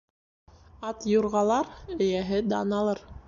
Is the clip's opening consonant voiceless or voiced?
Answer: voiceless